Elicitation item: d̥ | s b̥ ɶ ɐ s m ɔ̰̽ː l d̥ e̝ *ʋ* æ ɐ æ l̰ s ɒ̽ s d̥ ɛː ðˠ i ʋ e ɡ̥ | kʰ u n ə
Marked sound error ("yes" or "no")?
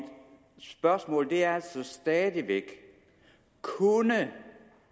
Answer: yes